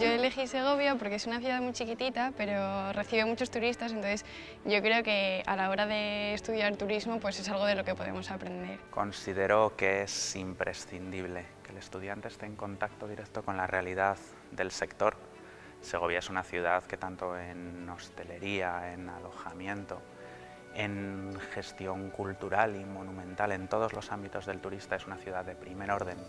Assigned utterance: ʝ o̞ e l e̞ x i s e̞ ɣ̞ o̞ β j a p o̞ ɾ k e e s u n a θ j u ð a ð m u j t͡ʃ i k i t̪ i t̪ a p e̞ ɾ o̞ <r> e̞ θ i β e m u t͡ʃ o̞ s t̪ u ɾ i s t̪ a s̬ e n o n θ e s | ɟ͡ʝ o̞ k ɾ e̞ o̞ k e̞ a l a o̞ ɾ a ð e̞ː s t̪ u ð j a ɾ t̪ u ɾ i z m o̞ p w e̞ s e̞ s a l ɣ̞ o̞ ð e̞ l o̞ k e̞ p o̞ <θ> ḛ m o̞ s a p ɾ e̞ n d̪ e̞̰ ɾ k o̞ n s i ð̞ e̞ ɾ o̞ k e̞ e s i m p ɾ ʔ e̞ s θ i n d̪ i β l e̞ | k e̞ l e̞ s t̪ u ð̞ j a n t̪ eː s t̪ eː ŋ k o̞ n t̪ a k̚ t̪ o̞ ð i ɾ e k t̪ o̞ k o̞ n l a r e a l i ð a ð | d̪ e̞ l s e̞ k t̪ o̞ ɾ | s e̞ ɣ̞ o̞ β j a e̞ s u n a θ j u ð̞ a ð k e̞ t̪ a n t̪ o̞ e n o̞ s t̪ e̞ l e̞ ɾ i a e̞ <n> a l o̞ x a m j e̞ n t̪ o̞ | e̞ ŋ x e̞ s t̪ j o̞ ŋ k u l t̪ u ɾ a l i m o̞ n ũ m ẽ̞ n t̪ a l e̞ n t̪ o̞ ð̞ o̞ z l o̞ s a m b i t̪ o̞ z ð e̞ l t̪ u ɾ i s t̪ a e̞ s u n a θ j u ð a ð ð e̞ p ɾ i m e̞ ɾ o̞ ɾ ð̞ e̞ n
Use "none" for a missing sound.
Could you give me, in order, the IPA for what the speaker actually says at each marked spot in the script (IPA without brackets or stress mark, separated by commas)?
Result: r, ð, n